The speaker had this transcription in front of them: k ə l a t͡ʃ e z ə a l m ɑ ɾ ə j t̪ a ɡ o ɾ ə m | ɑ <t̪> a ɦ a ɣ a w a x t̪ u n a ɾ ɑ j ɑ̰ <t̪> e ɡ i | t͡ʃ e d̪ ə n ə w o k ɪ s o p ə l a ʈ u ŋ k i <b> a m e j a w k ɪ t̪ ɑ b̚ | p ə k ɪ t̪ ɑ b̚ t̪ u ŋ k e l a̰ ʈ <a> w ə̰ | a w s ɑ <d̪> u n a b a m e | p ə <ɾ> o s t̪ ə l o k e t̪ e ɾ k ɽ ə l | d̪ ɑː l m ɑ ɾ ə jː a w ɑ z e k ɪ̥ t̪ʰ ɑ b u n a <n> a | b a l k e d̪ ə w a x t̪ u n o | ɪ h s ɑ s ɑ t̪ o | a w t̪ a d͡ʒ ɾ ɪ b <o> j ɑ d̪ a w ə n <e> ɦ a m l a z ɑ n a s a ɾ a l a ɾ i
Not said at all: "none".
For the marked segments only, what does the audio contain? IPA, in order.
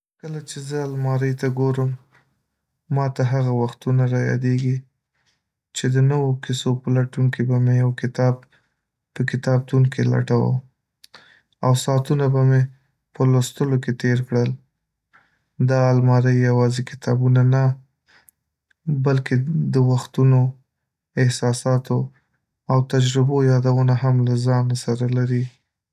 t̪, d̪, b, a, t̪, l, n, o, a

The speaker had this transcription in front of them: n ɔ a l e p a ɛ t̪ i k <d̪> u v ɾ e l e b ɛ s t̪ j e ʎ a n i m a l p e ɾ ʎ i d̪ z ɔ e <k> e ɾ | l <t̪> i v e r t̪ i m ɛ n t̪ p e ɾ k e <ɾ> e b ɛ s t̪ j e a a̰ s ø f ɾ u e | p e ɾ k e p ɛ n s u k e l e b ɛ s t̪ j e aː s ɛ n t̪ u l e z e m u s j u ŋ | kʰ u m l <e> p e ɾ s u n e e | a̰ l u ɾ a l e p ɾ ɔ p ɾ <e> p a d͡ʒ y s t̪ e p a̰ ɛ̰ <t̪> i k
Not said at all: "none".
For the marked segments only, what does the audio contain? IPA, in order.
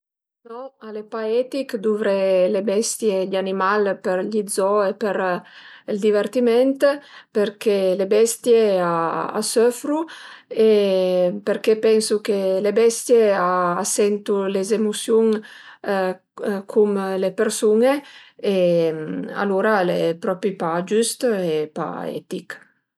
d̪, p, d̪, l, e, i, t̪

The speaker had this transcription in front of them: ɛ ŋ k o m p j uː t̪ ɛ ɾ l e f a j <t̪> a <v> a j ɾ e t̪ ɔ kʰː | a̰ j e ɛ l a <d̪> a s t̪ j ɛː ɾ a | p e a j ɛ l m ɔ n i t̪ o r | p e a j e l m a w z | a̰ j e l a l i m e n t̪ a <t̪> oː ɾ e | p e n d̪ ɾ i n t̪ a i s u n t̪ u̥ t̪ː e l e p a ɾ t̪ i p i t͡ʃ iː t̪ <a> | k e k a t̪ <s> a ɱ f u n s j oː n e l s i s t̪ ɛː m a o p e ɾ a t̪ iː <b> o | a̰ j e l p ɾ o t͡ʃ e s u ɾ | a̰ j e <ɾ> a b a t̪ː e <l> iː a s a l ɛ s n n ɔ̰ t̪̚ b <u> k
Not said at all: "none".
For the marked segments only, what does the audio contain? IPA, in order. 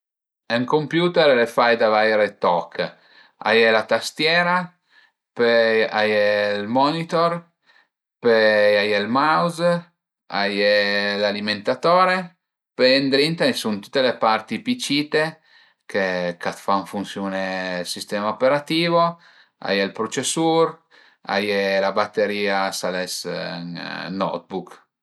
d̪, v, t̪, t̪, e, f, v, l, ɾ, u

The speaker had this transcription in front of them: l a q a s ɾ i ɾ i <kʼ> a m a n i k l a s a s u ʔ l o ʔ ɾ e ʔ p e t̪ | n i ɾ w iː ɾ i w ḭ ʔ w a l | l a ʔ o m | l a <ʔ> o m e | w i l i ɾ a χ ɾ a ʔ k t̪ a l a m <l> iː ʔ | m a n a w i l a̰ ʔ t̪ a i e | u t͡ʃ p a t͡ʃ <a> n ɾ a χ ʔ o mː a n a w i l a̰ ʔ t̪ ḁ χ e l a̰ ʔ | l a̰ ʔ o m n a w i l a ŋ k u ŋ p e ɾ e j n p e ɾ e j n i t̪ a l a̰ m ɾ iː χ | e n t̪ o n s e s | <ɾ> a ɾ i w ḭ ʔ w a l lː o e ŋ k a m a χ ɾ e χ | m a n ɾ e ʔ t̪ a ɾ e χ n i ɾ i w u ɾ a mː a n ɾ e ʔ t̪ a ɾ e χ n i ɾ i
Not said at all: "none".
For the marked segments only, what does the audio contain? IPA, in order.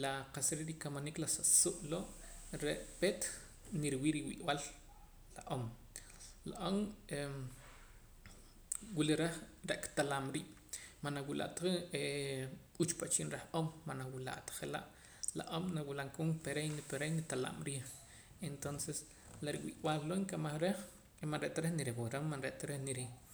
k, ʔ, ɾ, i, l

